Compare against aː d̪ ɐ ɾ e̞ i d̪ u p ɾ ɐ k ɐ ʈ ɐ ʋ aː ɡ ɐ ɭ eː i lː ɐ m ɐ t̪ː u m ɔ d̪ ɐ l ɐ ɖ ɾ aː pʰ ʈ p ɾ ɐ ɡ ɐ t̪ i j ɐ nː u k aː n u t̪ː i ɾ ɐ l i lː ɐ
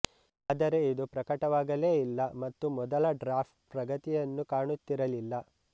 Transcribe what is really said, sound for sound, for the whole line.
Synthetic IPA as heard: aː d̪ ɐ ɾ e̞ i d̪ u p ɾ ɐ k ɐ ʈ ɐ ʋ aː ɡ ɐ l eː i lː ɐ m ɐ t̪ː u m ɔ d̪ ɐ l ɐ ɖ ɾ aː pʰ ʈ p ɾ ɐ ɡ ɐ t̪ i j ɐ nː u k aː ɳ u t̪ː i ɾ ɐ l i lː ɐ

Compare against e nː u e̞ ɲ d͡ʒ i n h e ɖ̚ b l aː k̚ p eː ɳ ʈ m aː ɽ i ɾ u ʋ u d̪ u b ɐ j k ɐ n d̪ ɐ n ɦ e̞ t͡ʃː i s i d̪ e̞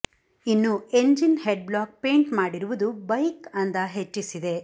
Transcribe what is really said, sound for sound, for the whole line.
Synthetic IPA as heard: i nː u e̞ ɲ d͡ʒ i n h e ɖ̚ b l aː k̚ p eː ɳ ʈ m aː ɽ i ɾ u ʋ u d̪ u b ɐ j k ɐ n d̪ ɐ ɦ e̞ t͡ʃː i s i d̪ e̞

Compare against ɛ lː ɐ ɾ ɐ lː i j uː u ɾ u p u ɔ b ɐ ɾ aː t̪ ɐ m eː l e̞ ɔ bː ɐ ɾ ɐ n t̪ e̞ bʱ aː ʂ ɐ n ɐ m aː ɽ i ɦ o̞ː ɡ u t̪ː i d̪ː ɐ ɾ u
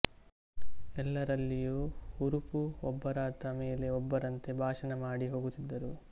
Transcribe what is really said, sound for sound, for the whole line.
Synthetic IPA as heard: ɛ lː ɐ ɾ ɐ lː i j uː u ɾ u p u ɔ bː ɐ ɾ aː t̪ ɐ m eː l e̞ ɔ bː ɐ ɾ ɐ n t̪ e̞ bʱ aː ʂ ɐ n ɐ m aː ɽ i ɦ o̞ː ɡ u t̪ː i d̪ː ɐ ɾ u

